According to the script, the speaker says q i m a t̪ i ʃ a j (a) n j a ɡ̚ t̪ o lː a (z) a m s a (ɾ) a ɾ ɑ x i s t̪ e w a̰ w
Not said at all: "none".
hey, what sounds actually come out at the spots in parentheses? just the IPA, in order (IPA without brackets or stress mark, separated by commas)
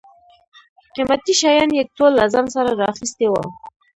ɑ, z, ɾ